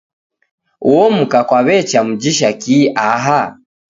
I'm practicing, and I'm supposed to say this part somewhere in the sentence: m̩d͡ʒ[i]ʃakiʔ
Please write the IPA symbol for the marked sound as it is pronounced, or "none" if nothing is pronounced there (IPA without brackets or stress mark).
i